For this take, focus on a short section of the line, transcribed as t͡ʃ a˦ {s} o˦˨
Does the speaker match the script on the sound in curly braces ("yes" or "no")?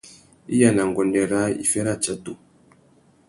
no